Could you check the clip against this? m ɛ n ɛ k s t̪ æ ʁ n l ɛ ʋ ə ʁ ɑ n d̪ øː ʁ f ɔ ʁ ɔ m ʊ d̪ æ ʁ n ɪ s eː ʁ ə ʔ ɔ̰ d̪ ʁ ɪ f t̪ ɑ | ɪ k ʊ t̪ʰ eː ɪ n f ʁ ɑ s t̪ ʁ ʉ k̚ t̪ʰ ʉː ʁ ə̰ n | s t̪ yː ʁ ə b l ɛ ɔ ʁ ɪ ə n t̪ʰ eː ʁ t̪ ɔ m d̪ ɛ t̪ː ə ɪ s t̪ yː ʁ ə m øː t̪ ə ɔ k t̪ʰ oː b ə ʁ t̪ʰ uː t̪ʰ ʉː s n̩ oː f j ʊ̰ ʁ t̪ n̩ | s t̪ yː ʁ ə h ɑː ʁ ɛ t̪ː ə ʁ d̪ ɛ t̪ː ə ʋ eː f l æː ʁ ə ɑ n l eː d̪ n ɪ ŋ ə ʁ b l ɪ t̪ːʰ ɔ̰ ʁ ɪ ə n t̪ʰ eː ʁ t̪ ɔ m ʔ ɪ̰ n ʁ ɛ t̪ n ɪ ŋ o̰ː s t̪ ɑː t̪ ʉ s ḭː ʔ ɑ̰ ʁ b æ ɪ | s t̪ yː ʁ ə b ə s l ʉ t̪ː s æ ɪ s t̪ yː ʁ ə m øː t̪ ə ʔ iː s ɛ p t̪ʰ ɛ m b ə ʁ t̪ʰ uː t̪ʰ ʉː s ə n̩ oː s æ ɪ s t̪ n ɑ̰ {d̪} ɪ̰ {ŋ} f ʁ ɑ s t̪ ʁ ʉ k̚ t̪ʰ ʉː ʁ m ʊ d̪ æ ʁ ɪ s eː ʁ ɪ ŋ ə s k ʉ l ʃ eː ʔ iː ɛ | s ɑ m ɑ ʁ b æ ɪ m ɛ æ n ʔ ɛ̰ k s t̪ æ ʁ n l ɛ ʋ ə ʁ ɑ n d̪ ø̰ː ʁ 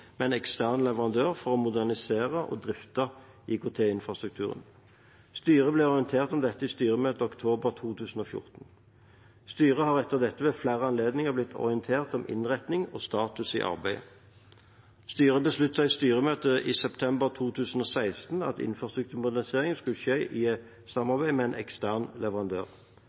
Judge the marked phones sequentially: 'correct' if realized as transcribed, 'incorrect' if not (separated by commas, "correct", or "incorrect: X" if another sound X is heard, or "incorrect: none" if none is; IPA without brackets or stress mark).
incorrect: t̪, incorrect: n